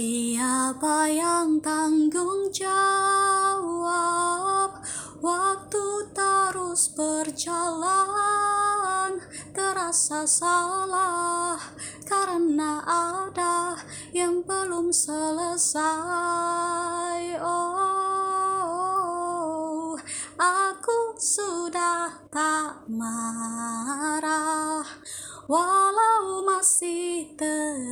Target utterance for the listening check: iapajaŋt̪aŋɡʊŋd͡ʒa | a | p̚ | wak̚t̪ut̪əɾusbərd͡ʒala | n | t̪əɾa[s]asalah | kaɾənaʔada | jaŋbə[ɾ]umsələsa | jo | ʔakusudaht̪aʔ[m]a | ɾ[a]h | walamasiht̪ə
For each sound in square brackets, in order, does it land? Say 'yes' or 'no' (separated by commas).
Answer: yes, no, yes, yes